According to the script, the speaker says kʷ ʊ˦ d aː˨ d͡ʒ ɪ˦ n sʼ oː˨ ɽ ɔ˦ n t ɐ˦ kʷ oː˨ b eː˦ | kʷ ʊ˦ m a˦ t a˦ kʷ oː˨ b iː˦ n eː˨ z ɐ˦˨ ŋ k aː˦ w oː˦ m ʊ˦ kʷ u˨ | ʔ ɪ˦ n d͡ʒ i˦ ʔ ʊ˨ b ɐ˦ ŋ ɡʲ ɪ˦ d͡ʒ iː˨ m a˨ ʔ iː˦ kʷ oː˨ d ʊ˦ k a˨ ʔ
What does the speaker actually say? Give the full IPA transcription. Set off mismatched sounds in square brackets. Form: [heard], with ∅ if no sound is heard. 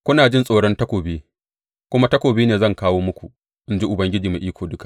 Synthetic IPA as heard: kʷ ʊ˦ [n] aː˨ d͡ʒ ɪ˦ n sʼ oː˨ ɽ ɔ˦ n t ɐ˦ kʷ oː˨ b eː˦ | kʷ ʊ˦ m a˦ t [ɐ˦] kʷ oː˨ b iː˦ n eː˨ z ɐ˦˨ ŋ k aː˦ w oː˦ m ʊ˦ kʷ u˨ | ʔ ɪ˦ n d͡ʒ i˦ ʔ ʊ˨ b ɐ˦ ŋ ɡʲ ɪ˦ d͡ʒ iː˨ m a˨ ʔ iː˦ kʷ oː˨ d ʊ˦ k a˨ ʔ

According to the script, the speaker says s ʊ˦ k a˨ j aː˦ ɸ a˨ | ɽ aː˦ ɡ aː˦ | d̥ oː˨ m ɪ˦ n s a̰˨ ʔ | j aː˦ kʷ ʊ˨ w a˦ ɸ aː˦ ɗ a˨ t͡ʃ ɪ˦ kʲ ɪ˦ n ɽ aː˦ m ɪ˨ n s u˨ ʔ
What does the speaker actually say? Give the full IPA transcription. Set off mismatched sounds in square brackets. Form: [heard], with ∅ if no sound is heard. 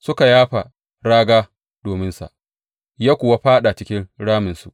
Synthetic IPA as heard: s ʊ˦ k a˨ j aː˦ ɸ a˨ | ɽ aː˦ ɡ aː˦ | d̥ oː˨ m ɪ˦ n s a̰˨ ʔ | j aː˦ kʷ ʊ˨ w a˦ ɸ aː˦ ɗ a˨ t͡ʃ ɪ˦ kʲ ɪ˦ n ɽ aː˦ m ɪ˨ n s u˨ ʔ

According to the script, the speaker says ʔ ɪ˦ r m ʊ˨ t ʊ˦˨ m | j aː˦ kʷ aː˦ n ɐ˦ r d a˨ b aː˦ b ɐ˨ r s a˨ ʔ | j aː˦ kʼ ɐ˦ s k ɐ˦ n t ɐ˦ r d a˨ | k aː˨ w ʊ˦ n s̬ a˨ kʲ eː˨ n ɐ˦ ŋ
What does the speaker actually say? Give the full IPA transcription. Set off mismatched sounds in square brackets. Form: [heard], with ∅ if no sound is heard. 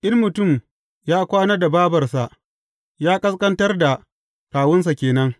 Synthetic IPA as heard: ʔ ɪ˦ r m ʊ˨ t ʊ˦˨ m | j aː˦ kʷ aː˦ n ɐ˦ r d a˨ b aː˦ b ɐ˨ r s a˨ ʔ | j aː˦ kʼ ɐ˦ s k ɐ˦ n t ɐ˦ r d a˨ | k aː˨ w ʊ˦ n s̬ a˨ kʲ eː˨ n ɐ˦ ŋ

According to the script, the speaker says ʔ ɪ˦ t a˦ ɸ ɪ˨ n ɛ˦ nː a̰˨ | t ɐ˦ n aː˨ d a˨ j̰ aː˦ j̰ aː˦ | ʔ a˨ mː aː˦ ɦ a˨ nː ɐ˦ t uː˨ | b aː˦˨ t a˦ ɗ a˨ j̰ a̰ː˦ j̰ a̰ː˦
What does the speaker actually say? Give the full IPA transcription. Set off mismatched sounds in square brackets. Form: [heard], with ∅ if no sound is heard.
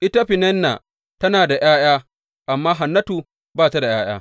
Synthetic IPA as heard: ʔ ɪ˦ t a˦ ɸ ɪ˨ n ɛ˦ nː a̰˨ | t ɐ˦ n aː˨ d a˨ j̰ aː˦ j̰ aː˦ | ʔ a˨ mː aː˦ ɦ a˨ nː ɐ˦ t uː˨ | b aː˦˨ t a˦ [d] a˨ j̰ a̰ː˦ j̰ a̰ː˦

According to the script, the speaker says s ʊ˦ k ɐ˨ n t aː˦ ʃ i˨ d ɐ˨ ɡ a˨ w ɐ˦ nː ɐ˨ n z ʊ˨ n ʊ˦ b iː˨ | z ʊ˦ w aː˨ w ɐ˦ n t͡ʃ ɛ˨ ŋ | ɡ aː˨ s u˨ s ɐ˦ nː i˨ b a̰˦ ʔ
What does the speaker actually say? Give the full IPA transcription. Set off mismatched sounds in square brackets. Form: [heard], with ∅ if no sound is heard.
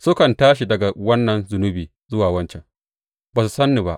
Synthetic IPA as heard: s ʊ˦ k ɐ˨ n t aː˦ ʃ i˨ d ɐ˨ ɡ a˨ w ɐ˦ nː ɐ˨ n z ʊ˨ n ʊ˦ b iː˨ | z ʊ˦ w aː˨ w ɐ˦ n t͡ʃ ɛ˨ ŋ | [b] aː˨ s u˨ s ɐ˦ nː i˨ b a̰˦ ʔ

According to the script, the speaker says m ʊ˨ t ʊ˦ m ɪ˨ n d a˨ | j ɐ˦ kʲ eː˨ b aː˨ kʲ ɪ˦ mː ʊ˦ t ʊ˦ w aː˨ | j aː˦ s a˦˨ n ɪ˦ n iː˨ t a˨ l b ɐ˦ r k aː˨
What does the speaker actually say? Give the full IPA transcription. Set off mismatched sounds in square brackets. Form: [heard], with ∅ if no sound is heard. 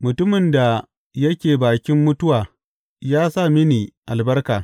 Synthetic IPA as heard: m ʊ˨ t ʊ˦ m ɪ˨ n d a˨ | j ɐ˦ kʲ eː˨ b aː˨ kʲ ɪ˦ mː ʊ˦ t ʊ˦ w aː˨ | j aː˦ s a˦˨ [m] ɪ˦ n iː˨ [ʔ] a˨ l b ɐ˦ r k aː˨

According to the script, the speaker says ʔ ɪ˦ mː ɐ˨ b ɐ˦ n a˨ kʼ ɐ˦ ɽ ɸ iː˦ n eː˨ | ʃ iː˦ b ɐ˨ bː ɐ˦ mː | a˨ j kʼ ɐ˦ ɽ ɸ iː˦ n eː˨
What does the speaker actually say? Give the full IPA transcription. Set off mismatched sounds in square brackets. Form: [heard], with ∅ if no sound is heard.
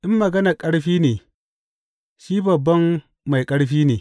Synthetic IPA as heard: ʔ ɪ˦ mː ɐ˨ [ɡ] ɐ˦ n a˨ kʼ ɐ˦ ɽ ɸ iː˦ n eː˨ | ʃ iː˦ b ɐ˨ bː ɐ˦ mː | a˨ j kʼ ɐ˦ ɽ ɸ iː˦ n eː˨

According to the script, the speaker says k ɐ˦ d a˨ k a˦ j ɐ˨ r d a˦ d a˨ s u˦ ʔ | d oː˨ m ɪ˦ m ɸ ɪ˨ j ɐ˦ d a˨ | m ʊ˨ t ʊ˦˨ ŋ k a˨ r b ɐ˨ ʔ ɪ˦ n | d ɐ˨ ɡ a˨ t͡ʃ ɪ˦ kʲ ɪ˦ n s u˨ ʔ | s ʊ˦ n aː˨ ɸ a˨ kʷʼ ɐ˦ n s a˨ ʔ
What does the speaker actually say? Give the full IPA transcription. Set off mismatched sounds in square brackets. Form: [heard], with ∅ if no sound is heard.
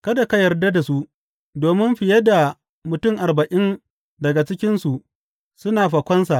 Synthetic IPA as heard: k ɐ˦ d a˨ k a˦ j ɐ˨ r d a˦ d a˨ s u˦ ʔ | d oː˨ m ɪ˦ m ɸ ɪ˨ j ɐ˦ d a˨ | m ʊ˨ t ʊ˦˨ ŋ [ʔ] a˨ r b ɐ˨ ʔ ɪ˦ n | d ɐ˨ ɡ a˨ t͡ʃ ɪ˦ kʲ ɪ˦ n s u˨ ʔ | s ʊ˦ n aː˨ ɸ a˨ [kʷ] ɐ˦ n s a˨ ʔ

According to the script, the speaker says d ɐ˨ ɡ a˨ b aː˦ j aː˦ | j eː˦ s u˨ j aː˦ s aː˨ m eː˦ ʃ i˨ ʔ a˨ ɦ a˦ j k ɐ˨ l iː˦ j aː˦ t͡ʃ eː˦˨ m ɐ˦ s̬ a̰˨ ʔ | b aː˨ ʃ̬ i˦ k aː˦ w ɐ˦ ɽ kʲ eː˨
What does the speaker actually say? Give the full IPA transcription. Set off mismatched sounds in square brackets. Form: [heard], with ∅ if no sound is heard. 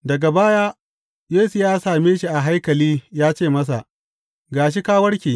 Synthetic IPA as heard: d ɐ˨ ɡ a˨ b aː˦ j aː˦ | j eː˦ s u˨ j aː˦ s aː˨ m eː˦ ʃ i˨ ʔ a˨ ɦ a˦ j k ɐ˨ l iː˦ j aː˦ t͡ʃ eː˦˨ m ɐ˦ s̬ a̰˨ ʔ | [ɡ] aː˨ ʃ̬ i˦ k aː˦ w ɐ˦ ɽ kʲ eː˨

